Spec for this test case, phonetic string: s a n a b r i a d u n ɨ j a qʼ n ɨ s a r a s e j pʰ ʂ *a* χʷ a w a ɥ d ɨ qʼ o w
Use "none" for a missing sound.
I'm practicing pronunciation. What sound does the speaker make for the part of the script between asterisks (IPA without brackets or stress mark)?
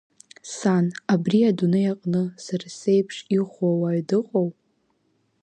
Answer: i